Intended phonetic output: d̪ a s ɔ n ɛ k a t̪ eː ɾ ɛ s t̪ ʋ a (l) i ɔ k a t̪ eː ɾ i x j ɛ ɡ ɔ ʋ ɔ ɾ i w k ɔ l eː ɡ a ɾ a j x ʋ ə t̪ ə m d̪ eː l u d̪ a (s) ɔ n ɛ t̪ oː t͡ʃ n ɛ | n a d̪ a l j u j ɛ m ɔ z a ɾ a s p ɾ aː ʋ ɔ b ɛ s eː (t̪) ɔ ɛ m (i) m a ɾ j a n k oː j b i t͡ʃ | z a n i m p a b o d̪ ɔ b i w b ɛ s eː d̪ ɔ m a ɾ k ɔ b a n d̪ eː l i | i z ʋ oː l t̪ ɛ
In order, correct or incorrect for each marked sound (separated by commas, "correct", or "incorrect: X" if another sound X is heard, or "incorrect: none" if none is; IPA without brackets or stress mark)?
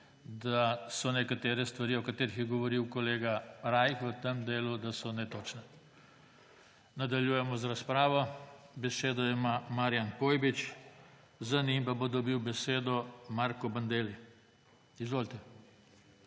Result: incorrect: ɾ, correct, incorrect: d̪, incorrect: a